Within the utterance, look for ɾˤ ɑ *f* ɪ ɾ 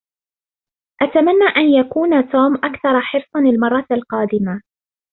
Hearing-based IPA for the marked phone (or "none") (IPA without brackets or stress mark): ħ